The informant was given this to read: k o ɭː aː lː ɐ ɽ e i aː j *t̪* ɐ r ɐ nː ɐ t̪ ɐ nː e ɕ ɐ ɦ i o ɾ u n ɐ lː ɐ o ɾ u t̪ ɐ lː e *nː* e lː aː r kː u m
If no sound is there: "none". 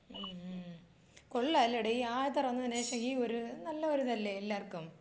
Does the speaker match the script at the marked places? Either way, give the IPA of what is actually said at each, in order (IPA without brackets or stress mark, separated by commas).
t̪, none